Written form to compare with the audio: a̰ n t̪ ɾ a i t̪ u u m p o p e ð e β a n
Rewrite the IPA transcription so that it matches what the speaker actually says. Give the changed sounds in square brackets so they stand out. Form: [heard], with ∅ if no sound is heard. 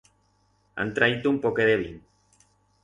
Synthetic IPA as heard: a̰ n t̪ ɾ a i t̪ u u m p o [k] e ð e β [i] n